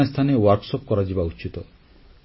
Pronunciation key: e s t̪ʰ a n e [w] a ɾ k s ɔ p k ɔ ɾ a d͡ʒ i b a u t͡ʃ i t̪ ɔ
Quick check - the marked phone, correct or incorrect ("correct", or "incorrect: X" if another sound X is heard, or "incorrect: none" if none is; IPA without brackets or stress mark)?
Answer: correct